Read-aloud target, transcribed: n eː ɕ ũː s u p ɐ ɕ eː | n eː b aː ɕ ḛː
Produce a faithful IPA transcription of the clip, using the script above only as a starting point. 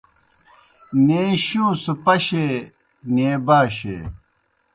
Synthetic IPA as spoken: n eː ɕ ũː s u p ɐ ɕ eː | n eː b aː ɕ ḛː